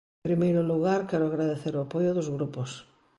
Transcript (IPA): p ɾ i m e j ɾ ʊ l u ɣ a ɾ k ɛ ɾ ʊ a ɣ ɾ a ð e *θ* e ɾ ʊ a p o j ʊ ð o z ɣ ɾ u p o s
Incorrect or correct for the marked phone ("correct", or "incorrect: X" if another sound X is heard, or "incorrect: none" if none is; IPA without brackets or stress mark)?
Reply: correct